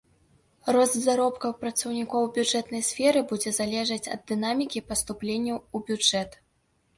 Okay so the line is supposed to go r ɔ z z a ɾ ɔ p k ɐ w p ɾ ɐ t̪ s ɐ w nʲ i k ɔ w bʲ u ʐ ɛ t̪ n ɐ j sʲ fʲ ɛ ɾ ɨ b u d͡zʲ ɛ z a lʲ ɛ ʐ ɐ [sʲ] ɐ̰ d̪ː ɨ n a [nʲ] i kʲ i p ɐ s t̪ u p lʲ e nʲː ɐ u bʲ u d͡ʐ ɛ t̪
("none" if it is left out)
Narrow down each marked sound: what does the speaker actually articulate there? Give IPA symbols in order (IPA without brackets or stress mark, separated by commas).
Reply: t͡sʲ, mʲ